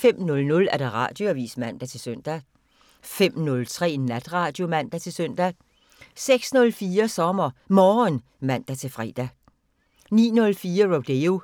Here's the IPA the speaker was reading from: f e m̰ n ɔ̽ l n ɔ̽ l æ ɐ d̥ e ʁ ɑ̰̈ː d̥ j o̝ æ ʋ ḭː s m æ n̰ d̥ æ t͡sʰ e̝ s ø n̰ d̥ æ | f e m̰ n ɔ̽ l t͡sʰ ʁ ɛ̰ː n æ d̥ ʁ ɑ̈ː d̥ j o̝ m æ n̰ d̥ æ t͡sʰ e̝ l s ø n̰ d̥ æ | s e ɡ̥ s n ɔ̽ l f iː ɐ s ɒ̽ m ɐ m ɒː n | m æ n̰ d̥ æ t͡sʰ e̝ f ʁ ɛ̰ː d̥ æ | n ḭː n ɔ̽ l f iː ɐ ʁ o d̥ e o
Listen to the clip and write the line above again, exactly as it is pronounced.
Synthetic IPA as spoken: f e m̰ n ɔ̽ l n ɔ̽ l æ ɐ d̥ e ʁ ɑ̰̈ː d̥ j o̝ æ ʋ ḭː s m æ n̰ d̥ æ t͡sʰ e̝ s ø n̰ d̥ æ | f e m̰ n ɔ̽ l t͡sʰ ʁ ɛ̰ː n æ d̥ ʁ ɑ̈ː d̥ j o̝ m æ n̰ d̥ æ t͡sʰ e̝ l s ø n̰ d̥ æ | s e ɡ̥ s n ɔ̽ l f iː ɐ s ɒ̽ m ɐ m ɒː n | m æ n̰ d̥ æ t͡sʰ e̝ f ʁ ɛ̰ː d̥ æ | n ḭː n ɔ̽ l f iː ɐ ʁ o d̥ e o